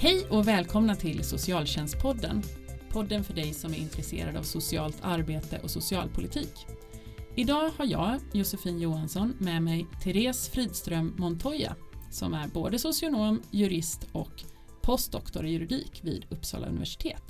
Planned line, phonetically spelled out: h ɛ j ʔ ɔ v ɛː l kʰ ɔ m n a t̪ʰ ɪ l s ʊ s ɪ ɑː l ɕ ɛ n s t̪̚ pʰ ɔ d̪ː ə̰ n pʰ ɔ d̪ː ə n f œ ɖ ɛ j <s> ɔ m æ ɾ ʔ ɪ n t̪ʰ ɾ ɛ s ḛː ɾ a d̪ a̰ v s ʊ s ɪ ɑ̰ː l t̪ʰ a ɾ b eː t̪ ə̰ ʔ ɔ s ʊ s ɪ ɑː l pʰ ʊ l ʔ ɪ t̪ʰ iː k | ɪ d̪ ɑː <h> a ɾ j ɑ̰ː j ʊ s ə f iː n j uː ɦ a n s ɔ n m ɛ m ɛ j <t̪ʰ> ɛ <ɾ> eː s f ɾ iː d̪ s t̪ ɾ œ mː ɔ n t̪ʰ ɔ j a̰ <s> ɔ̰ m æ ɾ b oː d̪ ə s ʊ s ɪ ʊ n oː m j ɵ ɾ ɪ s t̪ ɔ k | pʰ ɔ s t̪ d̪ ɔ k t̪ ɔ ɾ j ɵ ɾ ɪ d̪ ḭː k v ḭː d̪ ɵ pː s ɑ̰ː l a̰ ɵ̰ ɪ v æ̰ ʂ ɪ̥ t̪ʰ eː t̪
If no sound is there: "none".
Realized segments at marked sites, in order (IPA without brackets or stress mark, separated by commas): s, h, t̪ʰ, ɾ, s